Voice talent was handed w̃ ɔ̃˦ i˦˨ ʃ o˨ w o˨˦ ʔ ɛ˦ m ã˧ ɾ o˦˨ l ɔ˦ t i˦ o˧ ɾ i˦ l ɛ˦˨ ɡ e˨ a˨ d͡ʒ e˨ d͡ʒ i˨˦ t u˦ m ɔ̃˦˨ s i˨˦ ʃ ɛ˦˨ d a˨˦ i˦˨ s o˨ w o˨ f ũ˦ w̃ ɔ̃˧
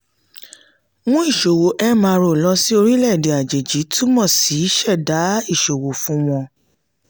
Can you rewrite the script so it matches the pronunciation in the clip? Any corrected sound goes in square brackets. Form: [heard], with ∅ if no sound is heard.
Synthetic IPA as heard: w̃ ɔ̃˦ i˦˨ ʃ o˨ w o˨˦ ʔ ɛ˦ m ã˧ ɾ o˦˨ l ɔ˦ [s] i˦ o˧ ɾ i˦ l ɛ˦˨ [d] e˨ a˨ d͡ʒ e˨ d͡ʒ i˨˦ t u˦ m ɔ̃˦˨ s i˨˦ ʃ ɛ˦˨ d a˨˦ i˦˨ [ʃ] o˨ w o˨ f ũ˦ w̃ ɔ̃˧